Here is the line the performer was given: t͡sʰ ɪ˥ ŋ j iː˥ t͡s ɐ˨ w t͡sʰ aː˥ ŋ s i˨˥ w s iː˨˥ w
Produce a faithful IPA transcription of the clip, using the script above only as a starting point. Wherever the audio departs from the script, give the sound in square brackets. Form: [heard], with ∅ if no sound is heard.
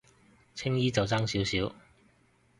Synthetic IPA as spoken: t͡sʰ ɪ˥ ŋ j iː˥ t͡s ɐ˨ w [t͡s] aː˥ ŋ s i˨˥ w s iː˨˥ w